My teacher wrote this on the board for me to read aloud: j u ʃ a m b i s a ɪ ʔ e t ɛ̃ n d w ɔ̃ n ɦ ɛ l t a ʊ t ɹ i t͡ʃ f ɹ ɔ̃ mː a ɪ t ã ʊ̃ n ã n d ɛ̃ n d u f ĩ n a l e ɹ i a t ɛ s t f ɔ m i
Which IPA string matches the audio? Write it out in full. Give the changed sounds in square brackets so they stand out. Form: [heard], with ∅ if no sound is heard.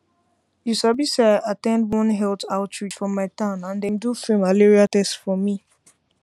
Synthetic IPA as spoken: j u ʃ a [∅] b i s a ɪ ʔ [a] t ɛ̃ n d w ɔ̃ n ɦ ɛ l t a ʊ t ɹ i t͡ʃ f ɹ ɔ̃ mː a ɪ t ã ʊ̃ n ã n d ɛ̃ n d u f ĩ [m] a l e ɹ i a t ɛ s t f ɔ m i